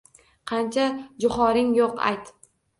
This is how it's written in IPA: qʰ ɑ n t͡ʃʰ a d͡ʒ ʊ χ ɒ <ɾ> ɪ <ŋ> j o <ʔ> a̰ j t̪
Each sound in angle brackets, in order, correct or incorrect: correct, correct, incorrect: q

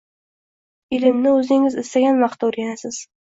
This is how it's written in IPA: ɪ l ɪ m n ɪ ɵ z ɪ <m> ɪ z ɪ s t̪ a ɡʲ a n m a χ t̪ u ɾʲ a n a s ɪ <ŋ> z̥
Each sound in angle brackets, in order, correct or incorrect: incorrect: ŋ, incorrect: none

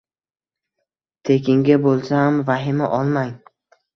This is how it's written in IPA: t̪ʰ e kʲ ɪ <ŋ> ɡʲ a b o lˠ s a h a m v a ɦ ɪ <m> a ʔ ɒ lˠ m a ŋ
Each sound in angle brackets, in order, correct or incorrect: correct, correct

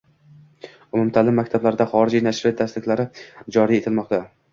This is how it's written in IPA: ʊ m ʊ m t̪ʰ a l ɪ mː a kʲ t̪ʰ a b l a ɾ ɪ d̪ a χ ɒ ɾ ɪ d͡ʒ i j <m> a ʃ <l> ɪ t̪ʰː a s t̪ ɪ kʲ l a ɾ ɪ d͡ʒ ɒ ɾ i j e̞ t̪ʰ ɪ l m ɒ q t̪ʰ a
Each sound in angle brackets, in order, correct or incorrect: incorrect: n, incorrect: ɾ

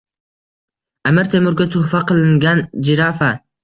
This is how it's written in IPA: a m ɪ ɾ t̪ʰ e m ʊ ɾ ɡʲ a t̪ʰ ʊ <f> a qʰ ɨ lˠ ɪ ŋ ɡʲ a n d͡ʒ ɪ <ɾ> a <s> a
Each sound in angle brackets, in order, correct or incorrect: correct, correct, incorrect: f

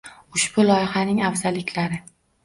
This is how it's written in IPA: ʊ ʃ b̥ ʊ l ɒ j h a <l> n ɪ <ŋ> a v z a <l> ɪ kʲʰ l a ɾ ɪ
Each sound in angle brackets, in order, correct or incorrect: incorrect: none, correct, correct

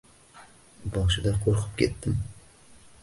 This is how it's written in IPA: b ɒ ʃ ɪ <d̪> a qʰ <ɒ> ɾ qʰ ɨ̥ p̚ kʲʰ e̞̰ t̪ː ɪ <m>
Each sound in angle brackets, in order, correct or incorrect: correct, incorrect: o, correct

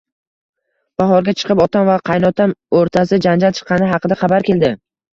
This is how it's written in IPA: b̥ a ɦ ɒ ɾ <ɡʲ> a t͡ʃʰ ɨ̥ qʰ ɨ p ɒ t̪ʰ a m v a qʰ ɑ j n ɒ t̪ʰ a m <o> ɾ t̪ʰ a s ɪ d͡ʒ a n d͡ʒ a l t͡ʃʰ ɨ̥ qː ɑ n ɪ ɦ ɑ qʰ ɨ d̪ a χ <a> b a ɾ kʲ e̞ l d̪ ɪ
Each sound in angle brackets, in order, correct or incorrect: correct, correct, incorrect: ɑ

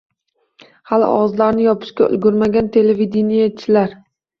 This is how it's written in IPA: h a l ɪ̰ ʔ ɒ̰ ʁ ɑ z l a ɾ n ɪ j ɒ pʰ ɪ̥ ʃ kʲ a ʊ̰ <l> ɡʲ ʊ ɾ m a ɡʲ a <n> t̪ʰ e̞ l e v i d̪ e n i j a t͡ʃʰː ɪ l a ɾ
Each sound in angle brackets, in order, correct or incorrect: correct, correct

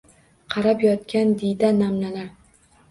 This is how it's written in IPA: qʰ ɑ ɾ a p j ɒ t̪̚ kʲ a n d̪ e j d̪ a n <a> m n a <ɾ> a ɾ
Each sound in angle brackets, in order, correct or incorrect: correct, incorrect: l

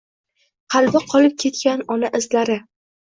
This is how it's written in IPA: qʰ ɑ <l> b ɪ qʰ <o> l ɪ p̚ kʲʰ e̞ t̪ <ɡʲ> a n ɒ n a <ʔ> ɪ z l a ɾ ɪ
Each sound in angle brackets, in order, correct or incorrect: correct, incorrect: ɒ, incorrect: kʲ, correct

